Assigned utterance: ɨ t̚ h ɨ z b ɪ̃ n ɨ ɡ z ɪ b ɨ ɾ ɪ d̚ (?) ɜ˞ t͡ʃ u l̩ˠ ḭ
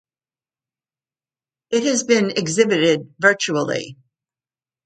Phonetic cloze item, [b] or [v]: v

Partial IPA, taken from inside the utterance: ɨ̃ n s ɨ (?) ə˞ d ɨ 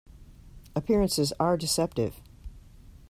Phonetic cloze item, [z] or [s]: z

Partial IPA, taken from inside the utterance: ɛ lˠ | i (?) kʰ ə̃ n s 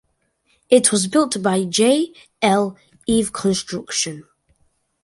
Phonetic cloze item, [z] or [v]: v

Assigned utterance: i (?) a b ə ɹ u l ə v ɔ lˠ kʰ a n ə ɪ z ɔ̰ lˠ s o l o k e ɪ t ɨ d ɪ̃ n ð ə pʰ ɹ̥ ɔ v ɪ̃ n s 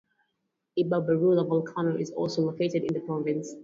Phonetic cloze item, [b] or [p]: b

